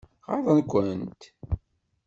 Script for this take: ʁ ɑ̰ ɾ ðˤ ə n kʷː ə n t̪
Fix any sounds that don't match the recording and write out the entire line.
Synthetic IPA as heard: ʁ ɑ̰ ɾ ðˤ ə n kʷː ə n t̪